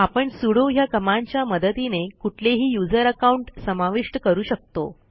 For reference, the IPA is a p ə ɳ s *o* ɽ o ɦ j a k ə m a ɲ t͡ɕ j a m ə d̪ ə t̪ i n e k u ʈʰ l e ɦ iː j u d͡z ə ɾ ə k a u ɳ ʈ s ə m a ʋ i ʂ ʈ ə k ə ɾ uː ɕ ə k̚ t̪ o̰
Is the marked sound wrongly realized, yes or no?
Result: yes